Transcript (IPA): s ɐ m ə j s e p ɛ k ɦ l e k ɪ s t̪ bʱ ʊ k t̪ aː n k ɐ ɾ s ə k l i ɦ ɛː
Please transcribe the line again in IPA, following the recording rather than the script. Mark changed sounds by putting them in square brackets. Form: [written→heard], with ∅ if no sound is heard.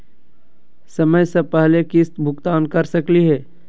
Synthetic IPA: s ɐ m ə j s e p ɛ [k→∅] ɦ l e k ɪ s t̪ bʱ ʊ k t̪ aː n k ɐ ɾ s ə k l i ɦ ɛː